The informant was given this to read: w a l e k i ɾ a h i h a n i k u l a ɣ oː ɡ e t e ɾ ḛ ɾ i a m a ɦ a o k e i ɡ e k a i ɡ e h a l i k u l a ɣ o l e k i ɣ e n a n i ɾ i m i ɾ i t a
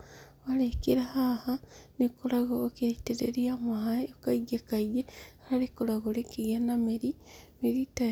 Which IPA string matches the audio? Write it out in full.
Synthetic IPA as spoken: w a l e k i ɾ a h a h a n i k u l a ɣ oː k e t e ɾ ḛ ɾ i a m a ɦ a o k a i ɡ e k a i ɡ e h a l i k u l a ɣ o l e k i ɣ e n a m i ɾ i m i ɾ i t a